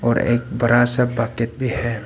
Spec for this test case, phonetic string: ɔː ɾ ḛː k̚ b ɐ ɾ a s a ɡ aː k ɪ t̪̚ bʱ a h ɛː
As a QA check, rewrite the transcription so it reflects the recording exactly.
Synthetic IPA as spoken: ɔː ɾ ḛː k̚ b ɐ ɾ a s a b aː k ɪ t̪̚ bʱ i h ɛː